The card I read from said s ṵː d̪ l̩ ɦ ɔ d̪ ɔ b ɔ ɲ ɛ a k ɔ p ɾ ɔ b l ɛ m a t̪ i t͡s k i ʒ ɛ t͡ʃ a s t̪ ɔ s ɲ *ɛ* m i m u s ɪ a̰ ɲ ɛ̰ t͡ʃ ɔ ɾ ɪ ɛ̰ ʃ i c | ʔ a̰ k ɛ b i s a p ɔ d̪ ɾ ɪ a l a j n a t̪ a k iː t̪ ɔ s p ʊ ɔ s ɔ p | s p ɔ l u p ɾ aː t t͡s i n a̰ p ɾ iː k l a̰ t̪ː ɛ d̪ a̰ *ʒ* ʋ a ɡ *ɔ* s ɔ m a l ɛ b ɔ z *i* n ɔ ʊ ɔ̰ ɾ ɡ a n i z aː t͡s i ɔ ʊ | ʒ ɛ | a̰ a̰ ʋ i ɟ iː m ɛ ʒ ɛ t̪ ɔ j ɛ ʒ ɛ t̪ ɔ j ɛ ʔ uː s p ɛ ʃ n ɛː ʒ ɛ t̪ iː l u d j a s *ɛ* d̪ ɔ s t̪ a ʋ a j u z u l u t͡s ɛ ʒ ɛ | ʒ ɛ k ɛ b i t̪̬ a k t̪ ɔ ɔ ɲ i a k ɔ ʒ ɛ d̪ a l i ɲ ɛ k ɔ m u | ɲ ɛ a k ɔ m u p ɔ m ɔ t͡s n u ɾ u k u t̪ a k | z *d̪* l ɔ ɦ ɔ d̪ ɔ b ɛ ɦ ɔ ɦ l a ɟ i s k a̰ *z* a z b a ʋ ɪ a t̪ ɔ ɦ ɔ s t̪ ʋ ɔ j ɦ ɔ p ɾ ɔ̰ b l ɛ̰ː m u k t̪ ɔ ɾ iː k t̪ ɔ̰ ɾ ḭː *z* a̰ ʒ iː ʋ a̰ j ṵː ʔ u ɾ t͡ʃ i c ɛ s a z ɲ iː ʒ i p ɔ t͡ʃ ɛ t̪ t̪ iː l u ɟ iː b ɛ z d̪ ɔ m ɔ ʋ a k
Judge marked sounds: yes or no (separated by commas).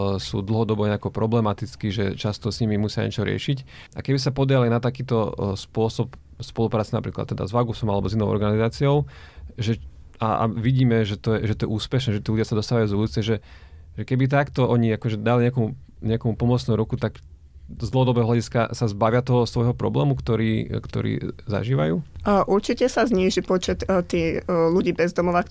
no, no, no, yes, no, yes, no, yes